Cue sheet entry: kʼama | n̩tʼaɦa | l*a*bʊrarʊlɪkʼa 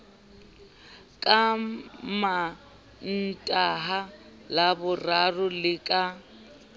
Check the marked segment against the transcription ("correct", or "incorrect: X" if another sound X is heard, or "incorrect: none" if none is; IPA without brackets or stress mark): correct